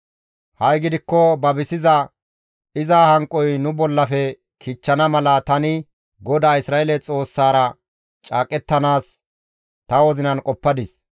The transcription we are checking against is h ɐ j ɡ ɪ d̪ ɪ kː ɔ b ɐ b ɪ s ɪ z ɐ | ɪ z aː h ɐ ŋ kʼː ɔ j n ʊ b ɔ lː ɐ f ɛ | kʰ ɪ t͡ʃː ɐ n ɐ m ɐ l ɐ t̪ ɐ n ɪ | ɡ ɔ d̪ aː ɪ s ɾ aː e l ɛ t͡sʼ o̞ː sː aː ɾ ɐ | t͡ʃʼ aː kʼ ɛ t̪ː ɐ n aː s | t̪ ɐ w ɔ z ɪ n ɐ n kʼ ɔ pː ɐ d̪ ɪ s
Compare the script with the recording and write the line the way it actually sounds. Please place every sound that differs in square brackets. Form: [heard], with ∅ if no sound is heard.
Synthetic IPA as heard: h ɐ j ɡ ɪ d̪ ɪ kː ɔ b ɐ b ɪ s ɪ z ɐ | ɪ z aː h ɐ ŋ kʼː ɔ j n ʊ b ɔ lː ɐ f ɛ | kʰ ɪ t͡ʃː ɐ n ɐ m ɐ l ɐ t̪ ɐ n ɪ | ɡ ɔ d̪ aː ɪ s ɾ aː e l ɛ t͡sʼ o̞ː sː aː ɾ ɐ | t͡ʃʼ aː kʼ ɛ t̪ː ɐ n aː s | t̪ ɐ w ɔ z ɪ n ɐ n kʼ ɔ pː ɐ d̪ ɪ s